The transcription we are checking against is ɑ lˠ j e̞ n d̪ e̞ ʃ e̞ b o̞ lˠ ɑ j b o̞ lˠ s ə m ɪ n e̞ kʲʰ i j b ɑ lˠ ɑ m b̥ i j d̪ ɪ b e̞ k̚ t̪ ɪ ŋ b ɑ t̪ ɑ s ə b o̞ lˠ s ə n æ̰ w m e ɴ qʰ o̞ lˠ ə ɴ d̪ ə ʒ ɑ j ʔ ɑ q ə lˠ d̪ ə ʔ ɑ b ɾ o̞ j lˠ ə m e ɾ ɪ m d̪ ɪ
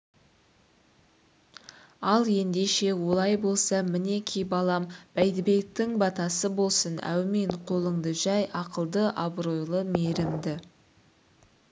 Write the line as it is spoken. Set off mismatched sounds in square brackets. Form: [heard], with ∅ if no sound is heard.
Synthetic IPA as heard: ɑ lˠ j e̞ n d̪ e̞ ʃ e̞ [w] o̞ lˠ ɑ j b o̞ lˠ s [ɑ] m ɪ n e̞ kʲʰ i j b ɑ lˠ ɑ m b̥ [æ] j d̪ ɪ b e̞ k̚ t̪ ɪ ŋ b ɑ t̪ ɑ s ə b o̞ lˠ s ə n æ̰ w m e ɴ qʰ o̞ lˠ ə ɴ d̪ ə ʒ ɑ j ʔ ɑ q ə lˠ d̪ ə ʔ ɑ b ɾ o̞ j lˠ ə m e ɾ ɪ m d̪ ɪ